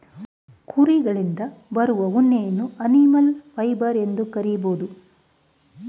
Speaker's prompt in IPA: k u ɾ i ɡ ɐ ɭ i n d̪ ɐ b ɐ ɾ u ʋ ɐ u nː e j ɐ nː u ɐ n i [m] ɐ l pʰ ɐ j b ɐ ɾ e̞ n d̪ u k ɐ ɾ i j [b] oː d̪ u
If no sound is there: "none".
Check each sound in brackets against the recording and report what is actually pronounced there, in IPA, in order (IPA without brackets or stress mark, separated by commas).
m, b